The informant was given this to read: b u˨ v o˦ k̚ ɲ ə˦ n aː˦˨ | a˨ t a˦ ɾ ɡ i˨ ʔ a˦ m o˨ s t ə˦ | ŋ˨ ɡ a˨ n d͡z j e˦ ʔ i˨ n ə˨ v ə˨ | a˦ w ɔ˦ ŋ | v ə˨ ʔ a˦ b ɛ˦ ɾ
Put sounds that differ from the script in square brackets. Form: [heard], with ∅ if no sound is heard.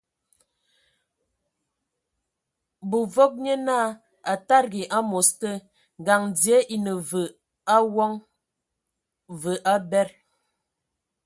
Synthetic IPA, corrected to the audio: b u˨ v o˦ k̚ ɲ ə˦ n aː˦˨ | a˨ t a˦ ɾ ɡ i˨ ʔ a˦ m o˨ s t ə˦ | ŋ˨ ɡ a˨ [ŋ] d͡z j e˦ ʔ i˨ n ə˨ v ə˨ | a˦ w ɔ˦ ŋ | v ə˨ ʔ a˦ b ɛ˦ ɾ

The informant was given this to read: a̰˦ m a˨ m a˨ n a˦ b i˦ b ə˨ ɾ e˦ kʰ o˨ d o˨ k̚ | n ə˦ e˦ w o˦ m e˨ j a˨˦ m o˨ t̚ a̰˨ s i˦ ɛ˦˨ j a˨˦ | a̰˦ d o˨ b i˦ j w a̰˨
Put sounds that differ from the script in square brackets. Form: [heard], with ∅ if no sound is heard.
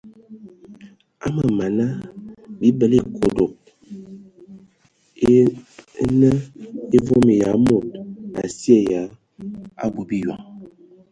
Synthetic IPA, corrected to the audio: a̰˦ m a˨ m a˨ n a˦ b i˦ b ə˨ [l] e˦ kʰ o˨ d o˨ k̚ | n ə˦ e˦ [v] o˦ m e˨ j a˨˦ m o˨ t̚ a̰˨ s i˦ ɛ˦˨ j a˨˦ | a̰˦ [b] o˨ b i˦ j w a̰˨

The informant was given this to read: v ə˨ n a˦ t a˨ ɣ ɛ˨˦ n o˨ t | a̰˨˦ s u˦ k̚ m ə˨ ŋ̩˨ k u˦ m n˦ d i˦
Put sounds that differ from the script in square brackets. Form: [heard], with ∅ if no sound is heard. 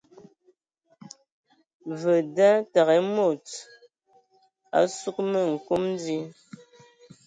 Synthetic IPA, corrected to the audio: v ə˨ [d] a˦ t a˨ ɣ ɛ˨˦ [m] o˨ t | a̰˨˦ s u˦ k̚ m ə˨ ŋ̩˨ k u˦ m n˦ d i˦

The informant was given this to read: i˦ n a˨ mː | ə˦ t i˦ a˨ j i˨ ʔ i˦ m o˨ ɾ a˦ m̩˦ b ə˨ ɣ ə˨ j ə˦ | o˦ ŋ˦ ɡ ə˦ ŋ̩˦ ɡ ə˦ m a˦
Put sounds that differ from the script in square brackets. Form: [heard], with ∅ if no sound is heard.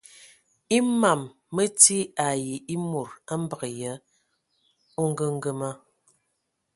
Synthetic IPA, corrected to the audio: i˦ [m] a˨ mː | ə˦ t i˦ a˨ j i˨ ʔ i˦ m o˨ ɾ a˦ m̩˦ b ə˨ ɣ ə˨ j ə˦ | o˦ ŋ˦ ɡ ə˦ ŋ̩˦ ɡ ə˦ m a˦

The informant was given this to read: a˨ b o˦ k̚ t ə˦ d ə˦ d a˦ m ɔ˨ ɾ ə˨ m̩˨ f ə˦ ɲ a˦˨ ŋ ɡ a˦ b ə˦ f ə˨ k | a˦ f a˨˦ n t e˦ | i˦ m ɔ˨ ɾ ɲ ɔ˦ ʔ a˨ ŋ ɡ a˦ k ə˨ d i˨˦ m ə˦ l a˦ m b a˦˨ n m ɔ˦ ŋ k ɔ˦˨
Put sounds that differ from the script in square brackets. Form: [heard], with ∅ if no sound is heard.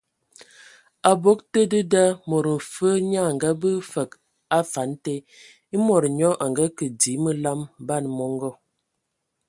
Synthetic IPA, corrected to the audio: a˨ b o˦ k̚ t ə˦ d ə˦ d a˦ m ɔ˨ ɾ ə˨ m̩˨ f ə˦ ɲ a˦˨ ŋ ɡ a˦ b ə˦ f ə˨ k | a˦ f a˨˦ n t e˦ | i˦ m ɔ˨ ɾ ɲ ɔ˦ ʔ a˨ ŋ ɡ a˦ k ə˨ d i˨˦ m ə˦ l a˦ m b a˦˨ n m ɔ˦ ŋ [ɡ] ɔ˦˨

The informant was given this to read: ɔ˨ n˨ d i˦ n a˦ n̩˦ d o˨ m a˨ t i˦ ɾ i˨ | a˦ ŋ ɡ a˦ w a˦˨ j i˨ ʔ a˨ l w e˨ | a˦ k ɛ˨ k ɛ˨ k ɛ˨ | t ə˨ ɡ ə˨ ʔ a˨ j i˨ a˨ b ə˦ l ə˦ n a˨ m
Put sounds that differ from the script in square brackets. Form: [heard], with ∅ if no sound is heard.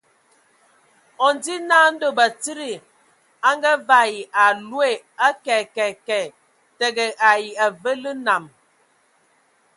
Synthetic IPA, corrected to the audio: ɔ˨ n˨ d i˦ n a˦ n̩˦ d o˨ [b] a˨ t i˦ ɾ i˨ | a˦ ŋ ɡ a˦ [v] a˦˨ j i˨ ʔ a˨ l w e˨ | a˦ k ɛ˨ k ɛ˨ k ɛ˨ | t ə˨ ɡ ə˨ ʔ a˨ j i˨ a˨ [v] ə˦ l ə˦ n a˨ m

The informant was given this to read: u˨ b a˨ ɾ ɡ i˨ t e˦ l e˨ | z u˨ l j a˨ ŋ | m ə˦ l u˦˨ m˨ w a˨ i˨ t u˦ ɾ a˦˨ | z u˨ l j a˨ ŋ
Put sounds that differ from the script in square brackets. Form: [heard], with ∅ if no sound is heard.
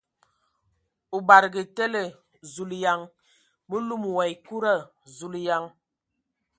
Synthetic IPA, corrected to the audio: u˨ b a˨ ɾ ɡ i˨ t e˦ l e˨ | z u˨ l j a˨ ŋ | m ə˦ l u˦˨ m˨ w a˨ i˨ [k] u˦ ɾ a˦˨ | z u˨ l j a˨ ŋ

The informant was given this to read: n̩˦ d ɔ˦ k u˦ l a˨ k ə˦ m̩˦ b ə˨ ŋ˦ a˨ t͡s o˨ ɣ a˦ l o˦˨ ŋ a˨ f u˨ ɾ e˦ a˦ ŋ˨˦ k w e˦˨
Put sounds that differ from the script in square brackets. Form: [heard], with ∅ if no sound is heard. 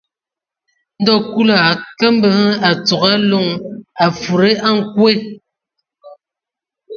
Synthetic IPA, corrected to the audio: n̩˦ d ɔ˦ k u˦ l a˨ k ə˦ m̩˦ b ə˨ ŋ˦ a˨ t͡s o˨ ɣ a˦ l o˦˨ ŋ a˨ f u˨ ɾ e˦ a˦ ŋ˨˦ k w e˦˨

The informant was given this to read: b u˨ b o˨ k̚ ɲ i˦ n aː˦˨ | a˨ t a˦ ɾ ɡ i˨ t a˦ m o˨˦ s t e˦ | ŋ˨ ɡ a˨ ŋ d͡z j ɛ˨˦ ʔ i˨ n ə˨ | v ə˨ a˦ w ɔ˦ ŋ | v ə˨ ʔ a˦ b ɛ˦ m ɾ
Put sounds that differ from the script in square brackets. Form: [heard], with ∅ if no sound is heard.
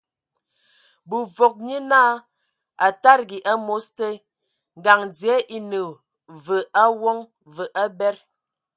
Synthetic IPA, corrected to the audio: b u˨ [v] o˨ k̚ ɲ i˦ n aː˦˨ | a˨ t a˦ ɾ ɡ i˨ [ʔ] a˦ m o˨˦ s t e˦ | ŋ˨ ɡ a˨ ŋ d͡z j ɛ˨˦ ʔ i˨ n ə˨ | v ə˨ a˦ w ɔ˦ ŋ | v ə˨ ʔ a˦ b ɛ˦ [∅] ɾ

